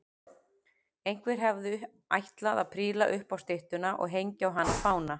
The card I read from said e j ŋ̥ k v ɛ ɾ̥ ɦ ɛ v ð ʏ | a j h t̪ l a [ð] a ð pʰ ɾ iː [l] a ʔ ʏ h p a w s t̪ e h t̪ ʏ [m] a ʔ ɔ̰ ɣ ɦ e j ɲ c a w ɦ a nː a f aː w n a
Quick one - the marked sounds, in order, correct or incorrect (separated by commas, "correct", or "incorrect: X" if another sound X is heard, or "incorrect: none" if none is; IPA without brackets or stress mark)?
correct, correct, incorrect: n